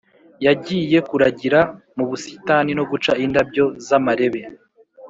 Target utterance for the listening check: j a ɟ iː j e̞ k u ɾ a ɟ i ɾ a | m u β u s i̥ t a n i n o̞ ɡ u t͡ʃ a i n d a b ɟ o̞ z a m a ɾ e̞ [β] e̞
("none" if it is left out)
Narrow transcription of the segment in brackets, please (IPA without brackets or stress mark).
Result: β